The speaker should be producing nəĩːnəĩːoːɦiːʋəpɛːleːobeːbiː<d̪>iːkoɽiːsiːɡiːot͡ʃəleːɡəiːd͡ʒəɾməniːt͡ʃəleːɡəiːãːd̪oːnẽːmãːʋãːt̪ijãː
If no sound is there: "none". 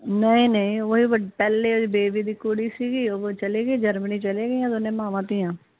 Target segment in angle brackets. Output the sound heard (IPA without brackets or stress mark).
d̪